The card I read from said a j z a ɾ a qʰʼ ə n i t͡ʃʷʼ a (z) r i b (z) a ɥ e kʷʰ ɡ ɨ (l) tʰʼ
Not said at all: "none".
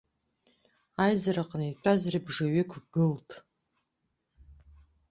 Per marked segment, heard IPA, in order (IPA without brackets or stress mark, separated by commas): z, ʐ, l